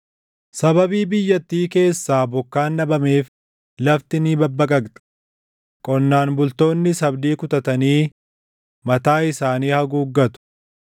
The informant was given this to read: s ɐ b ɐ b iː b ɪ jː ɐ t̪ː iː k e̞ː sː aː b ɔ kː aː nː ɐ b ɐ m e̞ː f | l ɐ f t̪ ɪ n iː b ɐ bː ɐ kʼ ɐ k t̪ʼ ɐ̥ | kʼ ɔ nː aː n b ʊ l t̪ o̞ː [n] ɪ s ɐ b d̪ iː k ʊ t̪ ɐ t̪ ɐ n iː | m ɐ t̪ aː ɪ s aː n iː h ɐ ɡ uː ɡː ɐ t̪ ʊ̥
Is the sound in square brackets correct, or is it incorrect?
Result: incorrect